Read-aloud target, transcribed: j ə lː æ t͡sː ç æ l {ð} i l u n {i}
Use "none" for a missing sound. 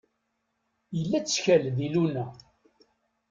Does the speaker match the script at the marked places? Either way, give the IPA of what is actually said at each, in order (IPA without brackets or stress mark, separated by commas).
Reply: ð, æ